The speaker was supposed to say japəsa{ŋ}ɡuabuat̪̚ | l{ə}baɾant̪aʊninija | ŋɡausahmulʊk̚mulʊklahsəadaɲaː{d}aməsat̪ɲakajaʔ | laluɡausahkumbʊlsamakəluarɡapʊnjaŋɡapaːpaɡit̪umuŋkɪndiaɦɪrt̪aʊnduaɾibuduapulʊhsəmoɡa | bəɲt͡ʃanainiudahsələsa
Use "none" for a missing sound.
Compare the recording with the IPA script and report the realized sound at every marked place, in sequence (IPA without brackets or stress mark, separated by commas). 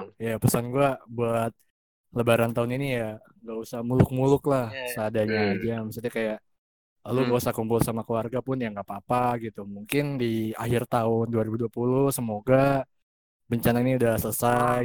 n, ə, d͡ʒ